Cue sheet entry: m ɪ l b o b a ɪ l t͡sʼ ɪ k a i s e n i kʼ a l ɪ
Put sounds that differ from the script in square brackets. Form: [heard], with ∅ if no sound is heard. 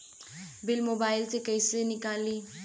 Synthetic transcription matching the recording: [b] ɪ l [m] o b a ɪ l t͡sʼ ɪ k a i s e n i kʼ a l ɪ